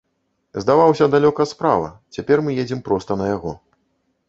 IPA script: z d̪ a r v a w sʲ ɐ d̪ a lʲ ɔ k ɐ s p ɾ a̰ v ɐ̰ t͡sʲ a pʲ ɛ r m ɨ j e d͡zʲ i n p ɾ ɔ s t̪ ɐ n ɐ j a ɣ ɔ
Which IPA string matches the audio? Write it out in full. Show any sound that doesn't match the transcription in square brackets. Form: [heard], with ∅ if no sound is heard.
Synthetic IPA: z d̪ a [∅] v a w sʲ ɐ d̪ a lʲ ɔ k ɐ s p ɾ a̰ v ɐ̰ t͡sʲ a pʲ ɛ r m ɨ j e d͡zʲ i [m] p ɾ ɔ s t̪ ɐ n ɐ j a ɣ ɔ